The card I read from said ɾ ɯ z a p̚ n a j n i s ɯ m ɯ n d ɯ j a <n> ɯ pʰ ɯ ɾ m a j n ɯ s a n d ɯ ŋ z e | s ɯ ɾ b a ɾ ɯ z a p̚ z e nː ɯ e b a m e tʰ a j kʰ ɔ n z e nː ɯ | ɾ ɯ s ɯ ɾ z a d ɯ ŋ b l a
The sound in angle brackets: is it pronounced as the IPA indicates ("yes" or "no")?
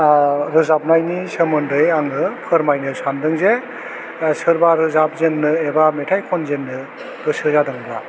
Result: no